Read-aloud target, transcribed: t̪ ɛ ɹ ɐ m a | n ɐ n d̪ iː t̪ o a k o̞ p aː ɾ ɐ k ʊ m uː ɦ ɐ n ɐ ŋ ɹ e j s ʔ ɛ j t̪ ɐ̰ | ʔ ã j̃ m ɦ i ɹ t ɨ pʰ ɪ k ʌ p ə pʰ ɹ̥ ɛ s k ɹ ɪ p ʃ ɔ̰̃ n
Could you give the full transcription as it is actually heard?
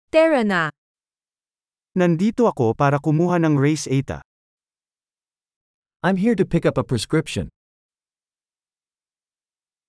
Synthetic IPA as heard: t̪ ɛ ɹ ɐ n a | n ɐ n d̪ iː t̪ o ɐ k o̞ p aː ɾ ɐ k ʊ m uː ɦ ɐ n ɐ ŋ ɹ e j s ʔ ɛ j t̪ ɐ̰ | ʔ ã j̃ m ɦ i ɹ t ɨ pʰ ɪ k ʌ p ə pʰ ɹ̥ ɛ s k ɹ ɪ p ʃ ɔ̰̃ n